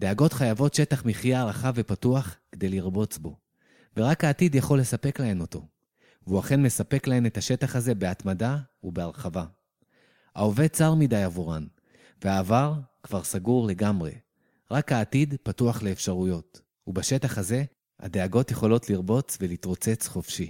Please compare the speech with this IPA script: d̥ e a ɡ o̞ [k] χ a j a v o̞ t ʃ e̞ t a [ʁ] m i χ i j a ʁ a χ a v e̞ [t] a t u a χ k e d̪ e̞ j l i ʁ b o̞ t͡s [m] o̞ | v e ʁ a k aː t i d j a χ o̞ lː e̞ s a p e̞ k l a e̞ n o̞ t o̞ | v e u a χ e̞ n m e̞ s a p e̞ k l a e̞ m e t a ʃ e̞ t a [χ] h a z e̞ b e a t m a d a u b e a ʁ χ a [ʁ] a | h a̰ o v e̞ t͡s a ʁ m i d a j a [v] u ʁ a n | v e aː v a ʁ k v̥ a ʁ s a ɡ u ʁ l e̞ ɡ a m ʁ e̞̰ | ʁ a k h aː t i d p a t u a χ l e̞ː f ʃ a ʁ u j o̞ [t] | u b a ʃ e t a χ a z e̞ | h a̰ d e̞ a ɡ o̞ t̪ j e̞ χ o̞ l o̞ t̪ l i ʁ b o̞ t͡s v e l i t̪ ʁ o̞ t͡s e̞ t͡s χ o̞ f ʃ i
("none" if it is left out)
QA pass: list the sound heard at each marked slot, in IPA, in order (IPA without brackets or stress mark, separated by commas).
t, χ, p, b, χ, v, v, t